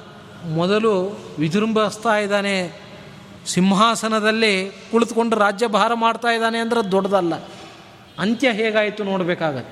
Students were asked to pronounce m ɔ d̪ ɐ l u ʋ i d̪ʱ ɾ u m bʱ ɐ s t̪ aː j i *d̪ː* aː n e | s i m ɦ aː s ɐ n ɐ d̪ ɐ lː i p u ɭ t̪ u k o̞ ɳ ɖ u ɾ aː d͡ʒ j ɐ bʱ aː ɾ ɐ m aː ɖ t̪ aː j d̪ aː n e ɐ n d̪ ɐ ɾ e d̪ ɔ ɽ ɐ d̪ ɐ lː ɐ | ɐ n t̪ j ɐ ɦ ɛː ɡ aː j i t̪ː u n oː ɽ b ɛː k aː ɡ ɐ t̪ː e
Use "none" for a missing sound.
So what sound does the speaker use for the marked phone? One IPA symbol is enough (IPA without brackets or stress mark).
d̪